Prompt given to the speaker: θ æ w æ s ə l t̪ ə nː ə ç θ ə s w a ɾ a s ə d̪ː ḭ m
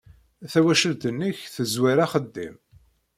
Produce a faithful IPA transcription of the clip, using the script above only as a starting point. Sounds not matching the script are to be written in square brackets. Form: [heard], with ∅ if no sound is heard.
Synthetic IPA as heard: θ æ w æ [ʃ] ə l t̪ ə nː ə ç θ ə [z] w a ɾ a [χ] ə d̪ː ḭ m